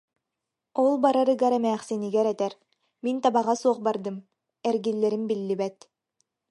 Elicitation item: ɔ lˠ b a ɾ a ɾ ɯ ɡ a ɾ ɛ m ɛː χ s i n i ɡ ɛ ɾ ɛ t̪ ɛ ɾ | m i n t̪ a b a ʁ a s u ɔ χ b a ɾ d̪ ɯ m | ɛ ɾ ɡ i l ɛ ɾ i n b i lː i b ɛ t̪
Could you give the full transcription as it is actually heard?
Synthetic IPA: ɔ lˠ b a ɾ a ɾ ɯ ɡ a ɾ ɛ m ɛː χ s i n i ɡ ɛ ɾ ɛ t̪ ɛ ɾ | m i n t̪ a b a ʁ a s u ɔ χ b a ɾ d̪ ɯ m | ɛ ɾ ɡ i lː ɛ ɾ i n b i lː i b ɛ t̪